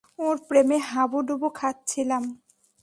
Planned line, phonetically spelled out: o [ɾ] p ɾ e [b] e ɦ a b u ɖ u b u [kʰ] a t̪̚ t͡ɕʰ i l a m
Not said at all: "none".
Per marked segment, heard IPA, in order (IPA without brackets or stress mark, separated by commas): ɾ, m, kʰ